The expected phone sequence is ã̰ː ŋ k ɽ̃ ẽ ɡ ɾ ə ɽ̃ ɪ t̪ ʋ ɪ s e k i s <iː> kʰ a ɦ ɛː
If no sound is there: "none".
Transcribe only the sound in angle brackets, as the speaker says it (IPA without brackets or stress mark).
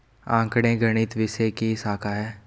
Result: aː